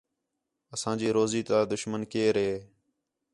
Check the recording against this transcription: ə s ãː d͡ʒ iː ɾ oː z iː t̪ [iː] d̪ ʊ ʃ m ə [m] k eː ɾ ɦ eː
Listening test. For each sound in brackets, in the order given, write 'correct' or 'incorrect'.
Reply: incorrect: aː, incorrect: n

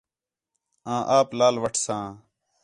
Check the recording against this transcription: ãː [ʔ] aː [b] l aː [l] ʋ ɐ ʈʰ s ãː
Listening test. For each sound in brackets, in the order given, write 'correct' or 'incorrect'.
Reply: correct, incorrect: p, correct

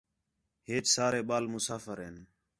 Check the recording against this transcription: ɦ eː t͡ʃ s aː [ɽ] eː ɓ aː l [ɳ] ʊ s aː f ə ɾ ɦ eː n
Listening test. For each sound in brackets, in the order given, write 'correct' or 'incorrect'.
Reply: incorrect: ɾ, incorrect: m

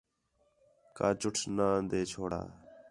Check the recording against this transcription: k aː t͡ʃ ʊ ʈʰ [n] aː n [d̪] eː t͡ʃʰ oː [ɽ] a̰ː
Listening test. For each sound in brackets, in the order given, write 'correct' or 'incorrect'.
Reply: correct, correct, correct

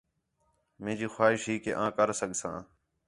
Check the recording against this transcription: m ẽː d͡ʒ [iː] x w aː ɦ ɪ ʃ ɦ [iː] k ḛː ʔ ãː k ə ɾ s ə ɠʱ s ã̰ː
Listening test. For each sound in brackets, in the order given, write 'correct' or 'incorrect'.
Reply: correct, correct

